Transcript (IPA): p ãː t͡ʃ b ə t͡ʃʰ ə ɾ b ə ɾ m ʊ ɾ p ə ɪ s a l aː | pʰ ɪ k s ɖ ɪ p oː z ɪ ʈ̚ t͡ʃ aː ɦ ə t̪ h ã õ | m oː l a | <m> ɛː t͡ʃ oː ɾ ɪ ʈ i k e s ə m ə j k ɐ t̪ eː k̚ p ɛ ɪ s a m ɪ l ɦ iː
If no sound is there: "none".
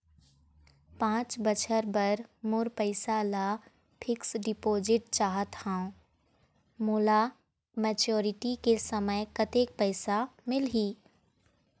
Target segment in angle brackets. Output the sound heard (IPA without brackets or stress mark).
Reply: m